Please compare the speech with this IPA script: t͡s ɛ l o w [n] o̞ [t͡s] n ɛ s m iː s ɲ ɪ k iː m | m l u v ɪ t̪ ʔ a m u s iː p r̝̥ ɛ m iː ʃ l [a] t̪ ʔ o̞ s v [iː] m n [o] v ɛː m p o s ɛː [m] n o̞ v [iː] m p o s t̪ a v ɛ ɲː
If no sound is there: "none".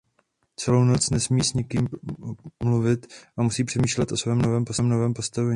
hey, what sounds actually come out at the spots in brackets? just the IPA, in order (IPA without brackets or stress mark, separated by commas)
n, t͡s, ɛ, ɛː, o, m, ɛː